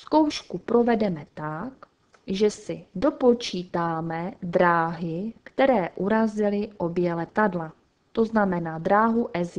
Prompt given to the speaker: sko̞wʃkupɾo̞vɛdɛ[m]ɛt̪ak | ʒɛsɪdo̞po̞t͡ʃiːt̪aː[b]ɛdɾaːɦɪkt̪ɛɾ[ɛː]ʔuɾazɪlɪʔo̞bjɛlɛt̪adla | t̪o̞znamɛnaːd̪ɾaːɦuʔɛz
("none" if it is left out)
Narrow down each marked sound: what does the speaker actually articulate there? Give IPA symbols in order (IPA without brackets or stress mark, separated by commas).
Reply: m, m, ɛː